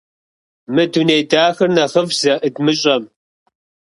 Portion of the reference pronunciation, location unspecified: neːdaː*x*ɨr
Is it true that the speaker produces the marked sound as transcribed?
yes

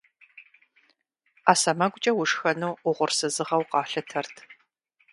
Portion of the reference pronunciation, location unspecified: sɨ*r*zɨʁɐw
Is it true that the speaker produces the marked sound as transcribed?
no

